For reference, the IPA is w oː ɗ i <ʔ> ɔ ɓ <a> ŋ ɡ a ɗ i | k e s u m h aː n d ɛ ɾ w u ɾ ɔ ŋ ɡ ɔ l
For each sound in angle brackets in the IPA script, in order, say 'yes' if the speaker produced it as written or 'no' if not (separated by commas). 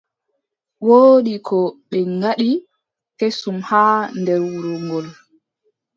no, no